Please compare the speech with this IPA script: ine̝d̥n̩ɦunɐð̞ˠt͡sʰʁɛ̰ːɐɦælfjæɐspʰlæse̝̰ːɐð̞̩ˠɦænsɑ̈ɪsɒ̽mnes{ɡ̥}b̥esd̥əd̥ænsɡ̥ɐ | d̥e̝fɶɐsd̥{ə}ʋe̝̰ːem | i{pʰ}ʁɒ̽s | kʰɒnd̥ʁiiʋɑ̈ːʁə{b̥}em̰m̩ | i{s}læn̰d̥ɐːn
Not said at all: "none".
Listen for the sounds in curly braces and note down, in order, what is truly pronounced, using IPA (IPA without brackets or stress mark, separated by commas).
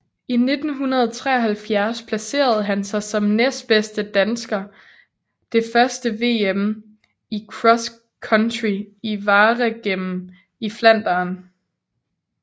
d̥, ə, kʰ, ɡ̥, f